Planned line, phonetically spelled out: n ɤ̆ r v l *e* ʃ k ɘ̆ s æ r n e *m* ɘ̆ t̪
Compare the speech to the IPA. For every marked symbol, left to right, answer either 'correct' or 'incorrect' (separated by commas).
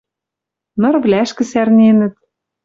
incorrect, incorrect